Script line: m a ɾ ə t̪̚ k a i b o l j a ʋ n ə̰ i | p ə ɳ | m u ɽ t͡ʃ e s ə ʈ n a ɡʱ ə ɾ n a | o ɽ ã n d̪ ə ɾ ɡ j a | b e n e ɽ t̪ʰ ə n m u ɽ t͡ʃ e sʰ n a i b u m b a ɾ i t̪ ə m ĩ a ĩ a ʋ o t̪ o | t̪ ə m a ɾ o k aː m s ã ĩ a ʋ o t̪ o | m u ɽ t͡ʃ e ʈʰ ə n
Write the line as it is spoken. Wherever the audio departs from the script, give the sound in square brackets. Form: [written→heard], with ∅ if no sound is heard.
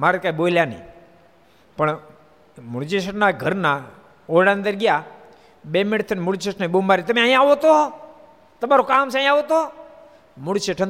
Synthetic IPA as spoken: m a ɾ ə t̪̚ k a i b o l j a [ʋ→∅] n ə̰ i | p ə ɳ | m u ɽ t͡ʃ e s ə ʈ n a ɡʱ ə ɾ n a | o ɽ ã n d̪ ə ɾ ɡ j a | b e [n→m] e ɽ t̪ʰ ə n m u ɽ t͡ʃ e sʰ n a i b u m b a ɾ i t̪ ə m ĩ a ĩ a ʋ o t̪ o | t̪ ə m a ɾ o k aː m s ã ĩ a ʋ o t̪ o | m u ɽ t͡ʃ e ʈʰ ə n